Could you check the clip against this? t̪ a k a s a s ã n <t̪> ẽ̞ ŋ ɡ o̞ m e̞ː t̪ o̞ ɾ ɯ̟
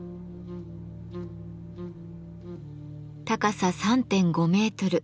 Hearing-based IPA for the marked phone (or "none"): t̪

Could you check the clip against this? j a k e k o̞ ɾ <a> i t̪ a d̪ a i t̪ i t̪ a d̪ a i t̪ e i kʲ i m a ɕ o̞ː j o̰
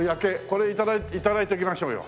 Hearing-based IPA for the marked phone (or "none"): e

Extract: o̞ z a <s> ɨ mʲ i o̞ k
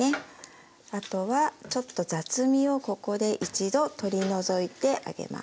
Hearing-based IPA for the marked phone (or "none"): t͡s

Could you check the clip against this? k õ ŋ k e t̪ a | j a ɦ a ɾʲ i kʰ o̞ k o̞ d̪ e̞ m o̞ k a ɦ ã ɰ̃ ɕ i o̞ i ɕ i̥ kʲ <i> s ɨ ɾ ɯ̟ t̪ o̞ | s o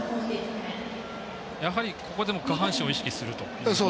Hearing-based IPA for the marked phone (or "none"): i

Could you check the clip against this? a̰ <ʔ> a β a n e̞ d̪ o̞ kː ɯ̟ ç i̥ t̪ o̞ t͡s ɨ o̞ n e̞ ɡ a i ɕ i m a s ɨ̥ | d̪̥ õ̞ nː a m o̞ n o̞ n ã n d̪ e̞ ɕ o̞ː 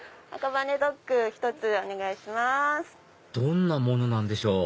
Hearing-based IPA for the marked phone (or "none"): k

